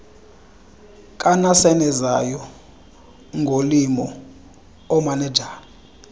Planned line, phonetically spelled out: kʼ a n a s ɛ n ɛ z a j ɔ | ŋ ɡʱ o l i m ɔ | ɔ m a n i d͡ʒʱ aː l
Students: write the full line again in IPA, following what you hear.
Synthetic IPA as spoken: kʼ a n a s ɛ n ɛ z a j ɔ | ŋ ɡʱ o l i m ɔ | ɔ m a n ɛ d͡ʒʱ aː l

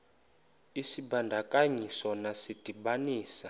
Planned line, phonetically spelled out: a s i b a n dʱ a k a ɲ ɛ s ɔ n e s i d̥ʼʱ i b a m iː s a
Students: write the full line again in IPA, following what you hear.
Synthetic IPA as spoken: i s i b a n dʱ a k a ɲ i s ɔ n a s i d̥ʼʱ i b a n iː s a

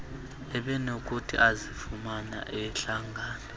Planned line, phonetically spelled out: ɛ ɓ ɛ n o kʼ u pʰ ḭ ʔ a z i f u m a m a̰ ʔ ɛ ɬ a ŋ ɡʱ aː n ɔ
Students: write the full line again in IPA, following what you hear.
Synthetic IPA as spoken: ɛ ɓ ɛ n o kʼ u tʰ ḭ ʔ a z i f u m a n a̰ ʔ ɛ ɬ a ŋ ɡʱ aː n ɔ

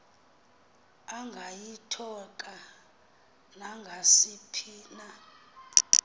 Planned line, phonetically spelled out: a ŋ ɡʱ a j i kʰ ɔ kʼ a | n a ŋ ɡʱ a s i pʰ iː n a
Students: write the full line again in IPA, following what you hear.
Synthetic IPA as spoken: a ŋ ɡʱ a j i tʰ ɔ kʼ a | n a ŋ ɡʱ a s i pʰ iː n a

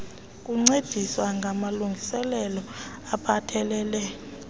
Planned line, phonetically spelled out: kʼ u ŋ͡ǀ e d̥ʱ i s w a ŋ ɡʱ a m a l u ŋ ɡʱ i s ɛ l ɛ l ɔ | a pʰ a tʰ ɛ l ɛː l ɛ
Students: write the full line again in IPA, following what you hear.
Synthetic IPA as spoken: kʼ u ŋ͡ǀ e d̥ʱ i s w a ŋ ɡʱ a m a l u ŋ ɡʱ i s ɛ l ɛ l ɔ | a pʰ a tʰ ɛ l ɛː l ɛ

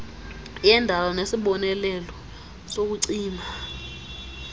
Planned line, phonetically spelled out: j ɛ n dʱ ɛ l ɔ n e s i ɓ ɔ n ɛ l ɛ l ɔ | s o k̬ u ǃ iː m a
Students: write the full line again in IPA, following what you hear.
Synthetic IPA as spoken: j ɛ n dʱ a l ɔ n e s i ɓ ɔ n ɛ l ɛ l ɔ | s o k̬ u ǀ iː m a

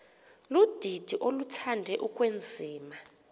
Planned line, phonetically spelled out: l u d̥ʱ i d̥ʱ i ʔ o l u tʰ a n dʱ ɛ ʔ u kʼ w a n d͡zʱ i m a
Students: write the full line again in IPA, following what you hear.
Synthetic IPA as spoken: l u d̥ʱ i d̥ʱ i ʔ o l u tʰ a n dʱ ɛ ʔ u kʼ w e n d͡zʱ iː m a

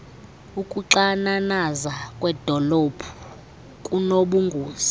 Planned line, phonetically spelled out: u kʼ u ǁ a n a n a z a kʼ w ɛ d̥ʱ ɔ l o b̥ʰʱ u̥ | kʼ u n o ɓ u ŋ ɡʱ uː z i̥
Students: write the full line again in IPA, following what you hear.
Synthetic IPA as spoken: u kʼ u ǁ a n a n a z a kʼ w ɛ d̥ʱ ɔ l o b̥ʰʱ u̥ | kʼ u n o ɓ u ŋ ɡʱ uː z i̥

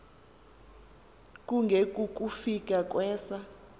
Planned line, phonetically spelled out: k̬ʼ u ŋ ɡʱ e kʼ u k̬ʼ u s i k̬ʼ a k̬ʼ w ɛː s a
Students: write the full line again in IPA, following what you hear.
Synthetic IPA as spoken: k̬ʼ u ŋ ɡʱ e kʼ u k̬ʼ u f i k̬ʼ a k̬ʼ w ɛː s a

